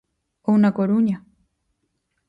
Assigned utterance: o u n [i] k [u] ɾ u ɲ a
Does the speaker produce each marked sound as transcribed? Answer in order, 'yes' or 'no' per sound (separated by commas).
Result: no, no